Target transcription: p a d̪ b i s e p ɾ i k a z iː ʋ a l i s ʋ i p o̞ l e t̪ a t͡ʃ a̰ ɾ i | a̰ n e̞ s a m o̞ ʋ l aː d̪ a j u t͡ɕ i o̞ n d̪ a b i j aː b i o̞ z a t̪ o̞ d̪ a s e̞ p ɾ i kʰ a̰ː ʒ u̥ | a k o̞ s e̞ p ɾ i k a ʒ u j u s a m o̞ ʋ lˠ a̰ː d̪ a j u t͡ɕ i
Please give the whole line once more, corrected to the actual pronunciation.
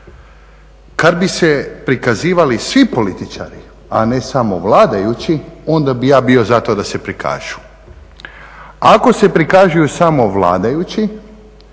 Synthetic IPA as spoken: k a d̪ b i s e p ɾ i k a z iː ʋ a l i s ʋ i p o̞ l i t̪ i t͡ʃ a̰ ɾ i | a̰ n e̞ s a m o̞ ʋ l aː d̪ a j u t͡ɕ i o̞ n d̪ a b i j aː b i o̞ z a t̪ o̞ d̪ a s e̞ p ɾ i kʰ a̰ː ʒ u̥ | a k o̞ s e̞ p ɾ i k a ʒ u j u s a m o̞ ʋ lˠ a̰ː d̪ a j u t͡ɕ i